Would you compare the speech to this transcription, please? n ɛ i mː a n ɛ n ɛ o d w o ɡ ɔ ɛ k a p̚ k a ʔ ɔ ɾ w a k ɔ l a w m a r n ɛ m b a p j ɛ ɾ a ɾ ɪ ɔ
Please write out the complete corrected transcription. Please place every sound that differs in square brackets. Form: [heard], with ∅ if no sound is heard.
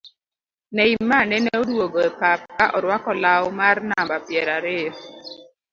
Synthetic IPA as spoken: n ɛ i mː a n ɛ n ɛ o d w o ɡ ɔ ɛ [p] a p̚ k a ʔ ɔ ɾ w a k ɔ l a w m a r n [a] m b a p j ɛ ɾ a ɾ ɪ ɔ